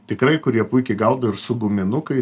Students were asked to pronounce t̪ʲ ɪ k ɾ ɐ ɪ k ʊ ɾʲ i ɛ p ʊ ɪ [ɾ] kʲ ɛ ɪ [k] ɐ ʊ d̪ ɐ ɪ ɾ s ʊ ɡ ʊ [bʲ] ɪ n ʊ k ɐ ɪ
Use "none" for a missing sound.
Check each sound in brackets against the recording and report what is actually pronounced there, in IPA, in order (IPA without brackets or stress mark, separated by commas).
none, ɡ, mʲ